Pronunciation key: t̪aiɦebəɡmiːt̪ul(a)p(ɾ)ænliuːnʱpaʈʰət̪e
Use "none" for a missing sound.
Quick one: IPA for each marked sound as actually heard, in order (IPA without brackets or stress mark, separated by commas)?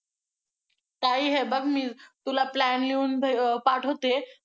a, l